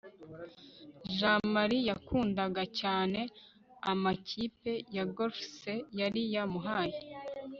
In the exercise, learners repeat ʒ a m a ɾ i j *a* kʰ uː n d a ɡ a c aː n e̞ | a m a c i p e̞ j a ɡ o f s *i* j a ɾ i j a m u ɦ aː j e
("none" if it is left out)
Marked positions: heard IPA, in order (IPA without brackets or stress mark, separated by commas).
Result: a, e